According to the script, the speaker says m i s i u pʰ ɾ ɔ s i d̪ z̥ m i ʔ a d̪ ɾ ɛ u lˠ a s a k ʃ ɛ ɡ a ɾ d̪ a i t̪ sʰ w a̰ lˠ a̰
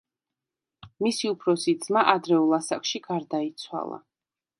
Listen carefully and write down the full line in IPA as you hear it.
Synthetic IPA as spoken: m i s i u pʰ ɾ ɔ s i d̪ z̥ m a ʔ a d̪ ɾ ɛ u lˠ a s a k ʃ i ɡ a ɾ d̪ a i t̪ sʰ w a̰ lˠ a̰